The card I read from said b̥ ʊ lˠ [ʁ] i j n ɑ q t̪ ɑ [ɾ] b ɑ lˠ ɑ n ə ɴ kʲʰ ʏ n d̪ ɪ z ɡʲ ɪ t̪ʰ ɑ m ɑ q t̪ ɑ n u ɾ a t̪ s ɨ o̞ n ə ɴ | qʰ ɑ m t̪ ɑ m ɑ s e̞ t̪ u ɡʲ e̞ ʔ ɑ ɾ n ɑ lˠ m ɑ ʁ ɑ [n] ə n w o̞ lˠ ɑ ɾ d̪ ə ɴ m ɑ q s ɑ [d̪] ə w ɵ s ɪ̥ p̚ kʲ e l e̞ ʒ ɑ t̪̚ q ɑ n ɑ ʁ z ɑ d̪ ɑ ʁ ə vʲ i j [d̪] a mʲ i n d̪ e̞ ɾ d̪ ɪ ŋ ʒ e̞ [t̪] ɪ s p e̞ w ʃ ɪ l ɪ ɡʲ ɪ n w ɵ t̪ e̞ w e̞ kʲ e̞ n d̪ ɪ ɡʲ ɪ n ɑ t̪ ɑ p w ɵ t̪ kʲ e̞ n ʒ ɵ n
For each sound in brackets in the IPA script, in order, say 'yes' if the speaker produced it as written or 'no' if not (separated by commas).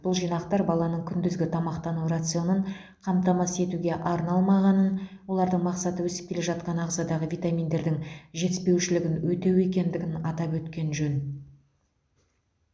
no, yes, yes, no, no, yes